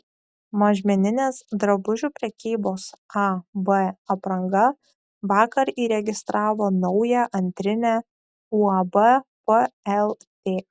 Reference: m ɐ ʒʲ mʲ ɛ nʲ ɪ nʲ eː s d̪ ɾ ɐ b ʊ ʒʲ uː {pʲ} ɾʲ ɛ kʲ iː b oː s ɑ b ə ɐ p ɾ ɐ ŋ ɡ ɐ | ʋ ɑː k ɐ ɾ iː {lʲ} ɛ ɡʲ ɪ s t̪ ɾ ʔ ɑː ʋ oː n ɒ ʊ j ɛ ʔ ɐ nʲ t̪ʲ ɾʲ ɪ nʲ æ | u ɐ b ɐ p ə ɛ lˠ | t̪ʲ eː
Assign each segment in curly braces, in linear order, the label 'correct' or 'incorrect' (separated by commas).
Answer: correct, incorrect